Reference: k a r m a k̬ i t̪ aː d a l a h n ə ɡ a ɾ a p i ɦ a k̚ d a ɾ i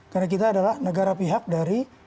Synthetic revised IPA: k a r n a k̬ i t̪ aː d a l a h n ə ɡ a ɾ a p i ɦ a k̚ d a ɾ i